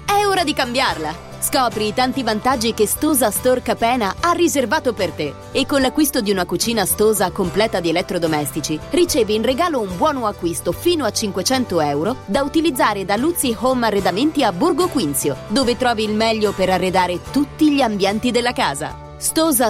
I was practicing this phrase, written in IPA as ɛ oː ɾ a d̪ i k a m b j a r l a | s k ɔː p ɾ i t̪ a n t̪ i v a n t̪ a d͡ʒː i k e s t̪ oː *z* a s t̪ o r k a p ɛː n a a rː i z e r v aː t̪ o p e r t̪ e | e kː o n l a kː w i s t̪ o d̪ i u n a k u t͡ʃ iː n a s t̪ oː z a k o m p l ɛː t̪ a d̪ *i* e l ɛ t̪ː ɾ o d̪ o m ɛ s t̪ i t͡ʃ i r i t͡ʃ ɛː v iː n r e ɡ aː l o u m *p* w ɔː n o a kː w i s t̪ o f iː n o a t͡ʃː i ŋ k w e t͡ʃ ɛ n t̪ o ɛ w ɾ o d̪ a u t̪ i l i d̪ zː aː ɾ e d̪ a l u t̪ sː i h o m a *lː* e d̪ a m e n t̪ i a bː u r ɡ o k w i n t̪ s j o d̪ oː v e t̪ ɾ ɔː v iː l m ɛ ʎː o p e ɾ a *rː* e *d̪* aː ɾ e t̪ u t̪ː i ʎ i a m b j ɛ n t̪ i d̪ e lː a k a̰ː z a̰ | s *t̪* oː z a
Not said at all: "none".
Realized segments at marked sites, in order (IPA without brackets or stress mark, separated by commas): z, i, b, rː, rː, d̪, t̪